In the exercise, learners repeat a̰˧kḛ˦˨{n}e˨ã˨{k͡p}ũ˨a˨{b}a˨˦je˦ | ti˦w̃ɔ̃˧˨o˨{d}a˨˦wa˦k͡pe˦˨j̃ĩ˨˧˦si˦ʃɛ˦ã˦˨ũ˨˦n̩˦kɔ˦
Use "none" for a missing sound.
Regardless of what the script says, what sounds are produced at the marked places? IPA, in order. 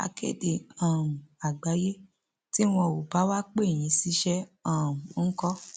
d, none, ɡ͡b, b

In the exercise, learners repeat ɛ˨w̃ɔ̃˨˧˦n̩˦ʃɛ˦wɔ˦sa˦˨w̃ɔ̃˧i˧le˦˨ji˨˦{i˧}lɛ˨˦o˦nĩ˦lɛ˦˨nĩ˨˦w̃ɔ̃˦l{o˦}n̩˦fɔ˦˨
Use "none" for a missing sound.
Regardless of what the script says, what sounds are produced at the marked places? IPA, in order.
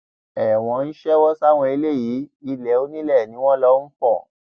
i˧, ɔ˦

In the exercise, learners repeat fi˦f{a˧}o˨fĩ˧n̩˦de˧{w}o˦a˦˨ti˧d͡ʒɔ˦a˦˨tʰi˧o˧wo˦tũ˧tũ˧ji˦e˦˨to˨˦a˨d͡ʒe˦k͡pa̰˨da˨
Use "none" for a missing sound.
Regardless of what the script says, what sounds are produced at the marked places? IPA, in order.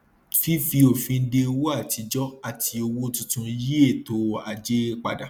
i˧, w

